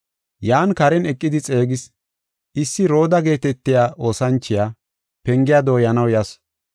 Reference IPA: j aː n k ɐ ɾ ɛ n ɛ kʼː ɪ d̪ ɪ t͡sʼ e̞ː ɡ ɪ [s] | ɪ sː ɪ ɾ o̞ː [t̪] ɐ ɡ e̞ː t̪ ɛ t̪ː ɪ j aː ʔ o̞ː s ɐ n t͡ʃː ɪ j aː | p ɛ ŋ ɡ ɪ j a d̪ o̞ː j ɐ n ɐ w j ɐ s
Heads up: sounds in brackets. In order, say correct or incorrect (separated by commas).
correct, incorrect